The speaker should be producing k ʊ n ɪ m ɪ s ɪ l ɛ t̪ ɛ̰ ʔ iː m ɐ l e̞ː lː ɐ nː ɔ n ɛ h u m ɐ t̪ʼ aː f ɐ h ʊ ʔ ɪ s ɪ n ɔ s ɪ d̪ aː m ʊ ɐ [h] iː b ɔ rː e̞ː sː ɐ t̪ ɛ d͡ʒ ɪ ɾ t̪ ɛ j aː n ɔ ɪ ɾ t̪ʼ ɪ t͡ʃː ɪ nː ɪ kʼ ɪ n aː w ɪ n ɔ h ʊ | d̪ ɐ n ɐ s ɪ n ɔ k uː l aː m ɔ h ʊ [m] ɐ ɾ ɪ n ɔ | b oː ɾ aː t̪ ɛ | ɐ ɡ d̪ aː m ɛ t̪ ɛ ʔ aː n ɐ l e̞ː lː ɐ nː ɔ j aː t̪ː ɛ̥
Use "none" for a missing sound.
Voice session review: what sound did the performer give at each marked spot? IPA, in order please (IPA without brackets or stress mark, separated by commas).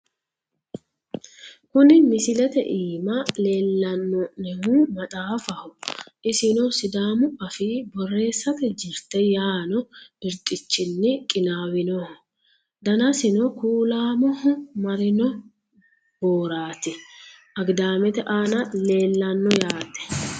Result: f, m